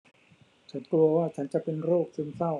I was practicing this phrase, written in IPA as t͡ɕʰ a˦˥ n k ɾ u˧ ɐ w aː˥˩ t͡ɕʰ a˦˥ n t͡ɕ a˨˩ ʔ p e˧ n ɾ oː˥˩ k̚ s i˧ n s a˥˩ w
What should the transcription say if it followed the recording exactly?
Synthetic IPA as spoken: t͡ɕʰ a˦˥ n k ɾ u˧ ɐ w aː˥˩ t͡ɕʰ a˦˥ n t͡ɕ a˨˩ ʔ p e˧ n ɾ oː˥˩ k̚ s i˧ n s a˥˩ w